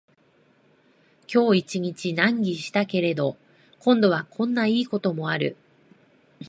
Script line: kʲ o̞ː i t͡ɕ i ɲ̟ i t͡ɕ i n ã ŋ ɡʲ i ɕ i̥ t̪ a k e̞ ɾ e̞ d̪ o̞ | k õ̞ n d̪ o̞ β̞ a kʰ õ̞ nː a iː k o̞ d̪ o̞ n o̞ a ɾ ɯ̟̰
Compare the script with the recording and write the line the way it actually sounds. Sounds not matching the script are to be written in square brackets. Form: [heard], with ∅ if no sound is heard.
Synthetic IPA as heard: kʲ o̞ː i t͡ɕ i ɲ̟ i t͡ɕ i n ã ŋ ɡʲ i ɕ i̥ t̪ a k e̞ ɾ e̞ d̪ o̞ | k õ̞ n d̪ o̞ β̞ a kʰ õ̞ nː a iː k o̞ [t̪] o̞ [m] o̞ a ɾ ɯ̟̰